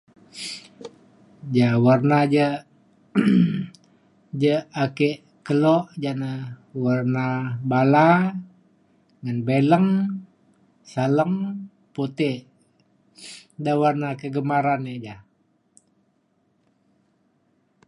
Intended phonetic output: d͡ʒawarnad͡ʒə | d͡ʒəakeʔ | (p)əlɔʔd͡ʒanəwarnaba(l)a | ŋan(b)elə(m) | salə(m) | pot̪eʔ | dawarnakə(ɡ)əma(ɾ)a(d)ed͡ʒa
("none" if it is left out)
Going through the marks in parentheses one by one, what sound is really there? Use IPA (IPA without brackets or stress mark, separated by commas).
k, l, b, ŋ, ŋ, ɡ, ɾ, n